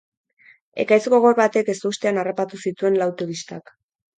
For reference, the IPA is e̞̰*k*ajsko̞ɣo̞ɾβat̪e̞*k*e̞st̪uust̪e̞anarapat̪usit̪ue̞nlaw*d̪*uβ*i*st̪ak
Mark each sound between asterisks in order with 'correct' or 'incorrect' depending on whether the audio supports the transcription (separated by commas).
correct, correct, incorrect, correct